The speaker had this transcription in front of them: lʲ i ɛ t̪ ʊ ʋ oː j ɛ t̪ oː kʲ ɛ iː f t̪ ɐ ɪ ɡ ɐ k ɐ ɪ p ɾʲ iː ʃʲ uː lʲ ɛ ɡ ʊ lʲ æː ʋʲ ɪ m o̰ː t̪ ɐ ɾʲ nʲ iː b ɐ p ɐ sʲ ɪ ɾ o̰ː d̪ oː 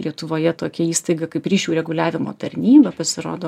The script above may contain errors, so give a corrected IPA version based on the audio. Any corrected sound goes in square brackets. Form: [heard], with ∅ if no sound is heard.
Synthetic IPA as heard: lʲ i ɛ t̪ ʊ ʋ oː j ɛ t̪ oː kʲ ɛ iː [s] t̪ ɐ ɪ ɡ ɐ k ɐ ɪ p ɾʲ iː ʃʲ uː [ɾʲ] ɛ ɡ ʊ lʲ æː ʋʲ ɪ m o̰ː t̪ ɐ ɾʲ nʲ iː b ɐ p ɐ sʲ ɪ ɾ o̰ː d̪ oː